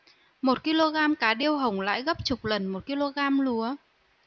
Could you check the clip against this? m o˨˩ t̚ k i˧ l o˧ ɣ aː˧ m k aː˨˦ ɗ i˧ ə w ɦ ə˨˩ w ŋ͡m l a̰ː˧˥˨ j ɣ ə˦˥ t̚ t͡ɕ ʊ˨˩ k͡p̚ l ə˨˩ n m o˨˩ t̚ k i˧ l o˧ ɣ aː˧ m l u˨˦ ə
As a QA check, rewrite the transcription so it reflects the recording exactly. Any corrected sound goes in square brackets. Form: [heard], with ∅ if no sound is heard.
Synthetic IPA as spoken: m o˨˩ t̚ k i˧ l o˧ ɣ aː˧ m k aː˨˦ ɗ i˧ ə w ɦ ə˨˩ w ŋ͡m l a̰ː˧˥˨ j ɣ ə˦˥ [p̚] t͡ɕ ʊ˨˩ k͡p̚ l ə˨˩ n m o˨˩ t̚ k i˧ l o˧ ɣ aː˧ m l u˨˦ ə